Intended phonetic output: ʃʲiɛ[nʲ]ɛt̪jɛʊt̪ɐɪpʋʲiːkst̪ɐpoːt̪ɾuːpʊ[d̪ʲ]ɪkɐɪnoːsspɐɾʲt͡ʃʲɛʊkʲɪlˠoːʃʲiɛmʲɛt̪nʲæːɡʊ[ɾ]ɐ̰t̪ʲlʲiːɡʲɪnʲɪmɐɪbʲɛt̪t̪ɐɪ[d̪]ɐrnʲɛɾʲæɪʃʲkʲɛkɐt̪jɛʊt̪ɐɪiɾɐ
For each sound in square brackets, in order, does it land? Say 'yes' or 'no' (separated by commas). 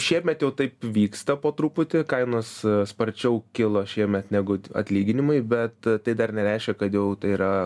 no, no, no, yes